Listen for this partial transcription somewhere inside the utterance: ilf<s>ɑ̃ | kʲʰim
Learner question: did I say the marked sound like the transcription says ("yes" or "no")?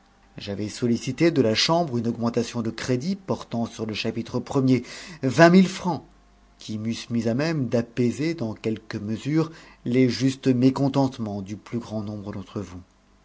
no